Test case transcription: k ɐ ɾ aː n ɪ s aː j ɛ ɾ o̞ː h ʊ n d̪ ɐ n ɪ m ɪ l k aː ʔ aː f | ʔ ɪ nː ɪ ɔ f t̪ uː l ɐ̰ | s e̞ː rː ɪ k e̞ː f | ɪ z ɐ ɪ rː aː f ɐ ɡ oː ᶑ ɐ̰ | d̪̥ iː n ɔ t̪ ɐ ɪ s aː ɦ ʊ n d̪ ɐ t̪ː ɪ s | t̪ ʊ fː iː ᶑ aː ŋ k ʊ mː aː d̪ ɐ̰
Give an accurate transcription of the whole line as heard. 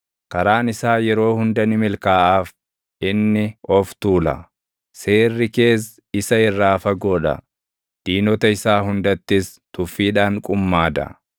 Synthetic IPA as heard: k ɐ ɾ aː n ɪ s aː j ɛ ɾ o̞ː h ʊ n d̪ ɐ n ɪ m ɪ l k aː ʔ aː f | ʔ ɪ nː ɪ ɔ f t̪ uː l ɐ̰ | s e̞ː rː ɪ k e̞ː s | ɪ s ɐ ɪ rː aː f ɐ ɡ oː ᶑ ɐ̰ | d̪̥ iː n ɔ t̪ ɐ ɪ s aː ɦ ʊ n d̪ ɐ t̪ː ɪ s | t̪ ʊ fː iː ᶑ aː ŋ kʼ ʊ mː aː d̪ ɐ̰